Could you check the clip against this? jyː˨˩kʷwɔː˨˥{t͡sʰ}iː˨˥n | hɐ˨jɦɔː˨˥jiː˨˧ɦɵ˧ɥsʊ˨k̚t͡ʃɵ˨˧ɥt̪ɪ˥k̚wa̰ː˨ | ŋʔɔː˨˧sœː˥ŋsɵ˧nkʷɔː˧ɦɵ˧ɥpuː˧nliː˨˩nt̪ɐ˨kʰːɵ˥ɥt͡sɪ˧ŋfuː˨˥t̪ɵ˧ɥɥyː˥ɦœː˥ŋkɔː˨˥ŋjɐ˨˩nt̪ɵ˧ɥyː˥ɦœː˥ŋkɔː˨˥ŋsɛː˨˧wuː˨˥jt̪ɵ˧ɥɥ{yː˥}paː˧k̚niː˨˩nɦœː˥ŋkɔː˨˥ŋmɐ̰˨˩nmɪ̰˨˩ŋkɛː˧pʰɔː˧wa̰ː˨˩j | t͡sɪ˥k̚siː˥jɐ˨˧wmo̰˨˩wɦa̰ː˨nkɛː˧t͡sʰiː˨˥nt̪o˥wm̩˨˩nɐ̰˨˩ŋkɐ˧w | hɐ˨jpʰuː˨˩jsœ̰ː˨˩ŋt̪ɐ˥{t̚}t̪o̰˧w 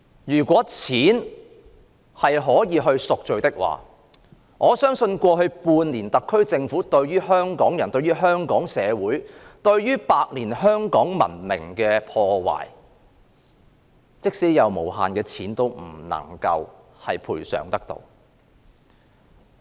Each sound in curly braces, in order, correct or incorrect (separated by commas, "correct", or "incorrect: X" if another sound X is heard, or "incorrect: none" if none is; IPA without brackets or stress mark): correct, correct, incorrect: k̚